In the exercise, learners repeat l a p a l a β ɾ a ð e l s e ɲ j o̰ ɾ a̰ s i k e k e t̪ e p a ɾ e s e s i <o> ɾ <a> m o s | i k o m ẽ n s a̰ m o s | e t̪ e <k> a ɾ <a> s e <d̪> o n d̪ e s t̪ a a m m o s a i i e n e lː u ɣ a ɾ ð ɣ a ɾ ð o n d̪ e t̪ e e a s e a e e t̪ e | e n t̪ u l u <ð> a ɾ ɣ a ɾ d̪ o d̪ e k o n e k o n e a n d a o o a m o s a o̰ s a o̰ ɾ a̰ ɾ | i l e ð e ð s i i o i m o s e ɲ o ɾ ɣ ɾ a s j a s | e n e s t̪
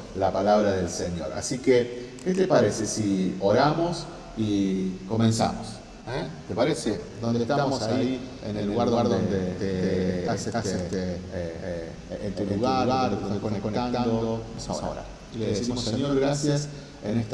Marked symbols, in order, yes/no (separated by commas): yes, yes, no, no, yes, no